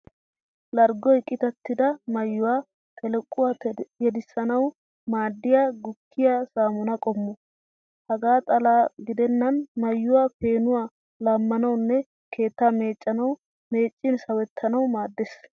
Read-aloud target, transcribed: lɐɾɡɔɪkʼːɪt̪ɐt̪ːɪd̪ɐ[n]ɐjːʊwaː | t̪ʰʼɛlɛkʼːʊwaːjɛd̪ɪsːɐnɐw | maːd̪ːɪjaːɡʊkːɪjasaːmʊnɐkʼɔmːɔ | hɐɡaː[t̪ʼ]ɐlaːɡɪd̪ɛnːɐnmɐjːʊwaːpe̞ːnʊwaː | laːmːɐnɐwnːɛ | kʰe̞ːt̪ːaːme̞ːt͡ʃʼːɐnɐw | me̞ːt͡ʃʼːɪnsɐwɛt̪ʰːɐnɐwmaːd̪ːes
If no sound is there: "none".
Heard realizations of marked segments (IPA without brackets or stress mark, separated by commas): m, t̪ʼ